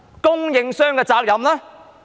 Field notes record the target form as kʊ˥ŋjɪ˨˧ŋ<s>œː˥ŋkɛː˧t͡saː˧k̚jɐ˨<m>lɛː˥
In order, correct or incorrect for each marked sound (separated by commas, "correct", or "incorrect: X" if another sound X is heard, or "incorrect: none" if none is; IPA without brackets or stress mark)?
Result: correct, correct